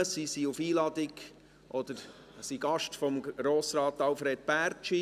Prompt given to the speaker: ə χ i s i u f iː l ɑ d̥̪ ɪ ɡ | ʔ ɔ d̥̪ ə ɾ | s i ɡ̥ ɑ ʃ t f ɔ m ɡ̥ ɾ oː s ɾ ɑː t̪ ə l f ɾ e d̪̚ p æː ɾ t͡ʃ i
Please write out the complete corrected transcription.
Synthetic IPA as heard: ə s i s i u f iː l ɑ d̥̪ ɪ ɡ | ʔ ɔ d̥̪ ə ɾ | s i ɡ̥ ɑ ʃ t f ɔ m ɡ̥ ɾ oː s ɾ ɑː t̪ ɑ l f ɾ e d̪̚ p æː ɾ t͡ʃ i